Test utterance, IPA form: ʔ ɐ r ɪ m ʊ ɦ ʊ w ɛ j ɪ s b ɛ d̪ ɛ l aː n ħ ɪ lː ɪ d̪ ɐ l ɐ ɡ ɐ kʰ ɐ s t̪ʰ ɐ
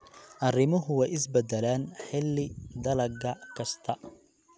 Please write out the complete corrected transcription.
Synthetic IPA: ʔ ɐ r ɪ m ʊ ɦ ʊ w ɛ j ɪ s b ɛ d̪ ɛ l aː n ħ ɪ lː ɪ d̪ ɐ l ɐ ɡ ɐ kʰ ɐ s t̪ʰ ɐ